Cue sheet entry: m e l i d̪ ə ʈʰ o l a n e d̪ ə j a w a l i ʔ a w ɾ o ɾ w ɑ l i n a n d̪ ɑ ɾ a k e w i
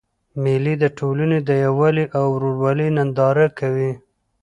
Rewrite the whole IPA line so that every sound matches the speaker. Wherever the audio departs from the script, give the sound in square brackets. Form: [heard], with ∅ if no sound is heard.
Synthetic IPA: m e l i d̪ ə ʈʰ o l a n e d̪ ə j a w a l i ʔ a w ɾ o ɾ w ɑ l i n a n d̪ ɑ ɾ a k [a] w i